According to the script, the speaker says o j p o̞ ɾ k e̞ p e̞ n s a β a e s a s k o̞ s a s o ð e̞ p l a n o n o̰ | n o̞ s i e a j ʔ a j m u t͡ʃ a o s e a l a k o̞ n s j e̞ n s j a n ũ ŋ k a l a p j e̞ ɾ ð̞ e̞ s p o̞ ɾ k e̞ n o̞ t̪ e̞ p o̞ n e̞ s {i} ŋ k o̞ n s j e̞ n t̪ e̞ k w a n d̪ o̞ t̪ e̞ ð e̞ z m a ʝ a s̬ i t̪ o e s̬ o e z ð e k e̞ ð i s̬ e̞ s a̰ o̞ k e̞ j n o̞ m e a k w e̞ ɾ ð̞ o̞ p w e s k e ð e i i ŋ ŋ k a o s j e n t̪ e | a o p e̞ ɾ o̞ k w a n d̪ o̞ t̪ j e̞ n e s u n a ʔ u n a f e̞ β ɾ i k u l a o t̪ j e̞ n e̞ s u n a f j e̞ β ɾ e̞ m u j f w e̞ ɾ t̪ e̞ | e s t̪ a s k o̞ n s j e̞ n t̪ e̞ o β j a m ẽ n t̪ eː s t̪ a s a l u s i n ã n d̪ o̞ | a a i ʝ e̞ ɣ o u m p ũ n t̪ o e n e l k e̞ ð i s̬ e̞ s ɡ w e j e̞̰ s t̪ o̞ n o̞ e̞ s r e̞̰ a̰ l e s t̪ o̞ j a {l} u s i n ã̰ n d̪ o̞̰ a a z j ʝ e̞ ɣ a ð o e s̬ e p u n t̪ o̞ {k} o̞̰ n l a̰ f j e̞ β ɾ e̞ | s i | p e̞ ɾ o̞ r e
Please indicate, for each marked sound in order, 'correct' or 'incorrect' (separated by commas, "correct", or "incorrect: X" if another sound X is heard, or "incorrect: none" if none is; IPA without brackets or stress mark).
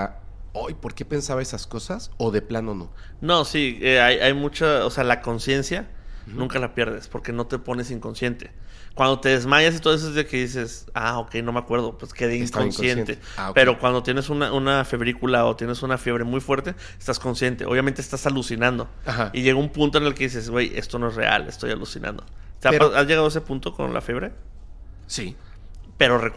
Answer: correct, correct, correct